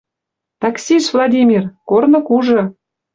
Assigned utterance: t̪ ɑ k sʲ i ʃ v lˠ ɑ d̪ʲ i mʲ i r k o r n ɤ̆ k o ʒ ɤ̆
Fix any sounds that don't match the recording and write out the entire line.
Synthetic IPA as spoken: t̪ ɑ k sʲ i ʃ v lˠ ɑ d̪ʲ i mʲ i r k o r n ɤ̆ k u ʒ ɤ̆